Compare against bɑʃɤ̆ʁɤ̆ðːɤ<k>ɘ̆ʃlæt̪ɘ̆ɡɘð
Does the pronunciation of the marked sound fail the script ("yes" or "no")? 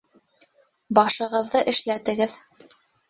yes